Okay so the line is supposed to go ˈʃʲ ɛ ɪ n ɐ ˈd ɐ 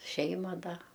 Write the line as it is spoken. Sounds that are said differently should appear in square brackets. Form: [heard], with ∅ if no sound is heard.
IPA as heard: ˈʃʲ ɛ ɪ [m] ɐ ˈd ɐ